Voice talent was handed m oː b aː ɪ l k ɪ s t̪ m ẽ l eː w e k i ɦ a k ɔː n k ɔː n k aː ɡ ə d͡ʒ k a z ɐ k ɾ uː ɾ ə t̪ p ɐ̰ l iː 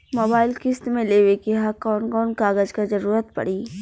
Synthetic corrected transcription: m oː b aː ɪ l k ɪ s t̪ m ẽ l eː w e k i ɦ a k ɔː n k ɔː n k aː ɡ ə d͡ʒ k a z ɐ ɾ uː ɾ ə t̪ p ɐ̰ ɽ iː